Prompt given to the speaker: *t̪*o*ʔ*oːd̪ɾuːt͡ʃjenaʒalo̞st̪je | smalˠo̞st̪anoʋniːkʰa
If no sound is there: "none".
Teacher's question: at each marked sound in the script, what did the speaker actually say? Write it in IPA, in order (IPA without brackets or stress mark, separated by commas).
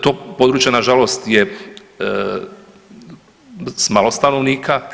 t̪, p